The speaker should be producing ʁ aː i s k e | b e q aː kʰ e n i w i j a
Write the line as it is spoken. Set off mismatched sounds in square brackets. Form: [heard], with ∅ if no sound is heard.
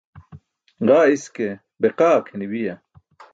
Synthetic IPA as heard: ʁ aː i s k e | b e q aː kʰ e n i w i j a